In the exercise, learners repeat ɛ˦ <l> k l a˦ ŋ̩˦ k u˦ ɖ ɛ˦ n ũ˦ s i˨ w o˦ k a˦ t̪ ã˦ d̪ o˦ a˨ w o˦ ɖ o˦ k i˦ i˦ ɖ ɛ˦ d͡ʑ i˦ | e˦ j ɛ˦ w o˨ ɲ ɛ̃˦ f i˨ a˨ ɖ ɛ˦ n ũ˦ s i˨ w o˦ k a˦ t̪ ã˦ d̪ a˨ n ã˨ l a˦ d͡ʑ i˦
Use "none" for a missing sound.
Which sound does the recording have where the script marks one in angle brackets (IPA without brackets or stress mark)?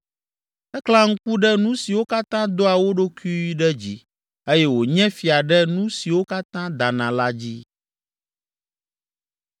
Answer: none